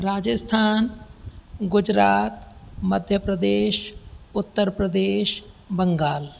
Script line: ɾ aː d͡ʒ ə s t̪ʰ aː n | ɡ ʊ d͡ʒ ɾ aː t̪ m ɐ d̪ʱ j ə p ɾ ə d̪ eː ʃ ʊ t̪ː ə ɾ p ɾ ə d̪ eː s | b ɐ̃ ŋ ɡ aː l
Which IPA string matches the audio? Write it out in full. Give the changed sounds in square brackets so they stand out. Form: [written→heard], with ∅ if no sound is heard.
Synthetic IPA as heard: ɾ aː d͡ʒ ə s t̪ʰ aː n | ɡ ʊ d͡ʒ ɾ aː t̪ m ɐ d̪ʱ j ə p ɾ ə d̪ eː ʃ ʊ t̪ː ə ɾ p ɾ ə d̪ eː [s→ʃ] | b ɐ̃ ŋ ɡ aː l